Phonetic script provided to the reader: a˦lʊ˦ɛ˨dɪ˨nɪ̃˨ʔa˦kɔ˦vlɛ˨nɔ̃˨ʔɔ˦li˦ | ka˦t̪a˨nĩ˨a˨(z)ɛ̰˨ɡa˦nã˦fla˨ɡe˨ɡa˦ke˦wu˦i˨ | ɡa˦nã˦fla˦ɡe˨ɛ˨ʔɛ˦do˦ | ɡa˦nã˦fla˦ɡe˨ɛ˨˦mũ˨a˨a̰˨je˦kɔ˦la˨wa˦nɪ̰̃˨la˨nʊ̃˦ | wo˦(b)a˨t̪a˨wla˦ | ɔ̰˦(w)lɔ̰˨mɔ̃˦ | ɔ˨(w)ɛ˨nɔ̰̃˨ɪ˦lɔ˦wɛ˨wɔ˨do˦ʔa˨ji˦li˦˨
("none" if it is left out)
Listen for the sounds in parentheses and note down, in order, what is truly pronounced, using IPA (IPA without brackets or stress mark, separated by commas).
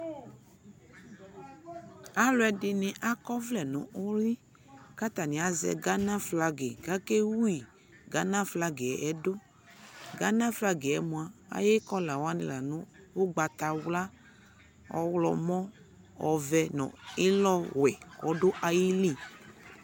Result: z, ɡ͡b, w, v